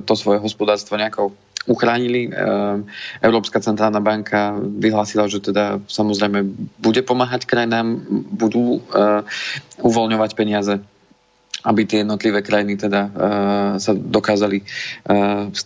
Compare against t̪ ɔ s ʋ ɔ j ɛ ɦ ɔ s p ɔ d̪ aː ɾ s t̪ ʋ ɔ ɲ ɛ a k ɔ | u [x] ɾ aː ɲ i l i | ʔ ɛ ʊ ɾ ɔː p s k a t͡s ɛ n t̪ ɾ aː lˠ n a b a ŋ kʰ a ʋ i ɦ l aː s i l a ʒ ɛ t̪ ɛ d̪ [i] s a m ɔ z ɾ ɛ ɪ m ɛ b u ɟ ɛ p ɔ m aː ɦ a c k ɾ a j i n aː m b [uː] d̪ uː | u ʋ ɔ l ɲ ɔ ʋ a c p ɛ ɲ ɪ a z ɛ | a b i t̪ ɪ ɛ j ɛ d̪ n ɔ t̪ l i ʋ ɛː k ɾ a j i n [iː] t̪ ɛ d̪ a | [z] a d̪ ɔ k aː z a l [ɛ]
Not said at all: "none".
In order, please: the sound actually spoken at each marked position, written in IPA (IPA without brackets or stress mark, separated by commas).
x, a, u, i, s, i